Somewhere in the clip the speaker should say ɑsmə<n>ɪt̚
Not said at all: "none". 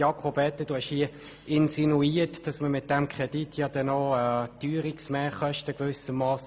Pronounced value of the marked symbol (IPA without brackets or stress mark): m